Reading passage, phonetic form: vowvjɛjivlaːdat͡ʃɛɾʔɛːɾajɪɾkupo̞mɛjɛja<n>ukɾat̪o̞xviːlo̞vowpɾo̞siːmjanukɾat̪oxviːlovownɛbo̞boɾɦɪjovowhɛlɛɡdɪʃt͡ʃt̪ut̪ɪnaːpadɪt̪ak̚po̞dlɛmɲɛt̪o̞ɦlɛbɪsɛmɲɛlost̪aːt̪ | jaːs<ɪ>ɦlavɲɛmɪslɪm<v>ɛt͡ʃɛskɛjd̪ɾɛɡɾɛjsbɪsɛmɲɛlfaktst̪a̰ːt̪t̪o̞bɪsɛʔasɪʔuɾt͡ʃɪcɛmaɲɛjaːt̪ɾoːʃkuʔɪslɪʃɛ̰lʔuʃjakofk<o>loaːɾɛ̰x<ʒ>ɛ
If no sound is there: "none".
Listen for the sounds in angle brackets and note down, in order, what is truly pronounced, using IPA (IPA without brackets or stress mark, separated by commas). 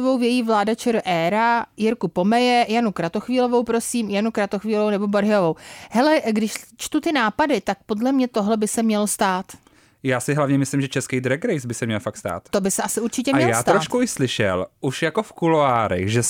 n, ɪ, ʒ, u, ʒ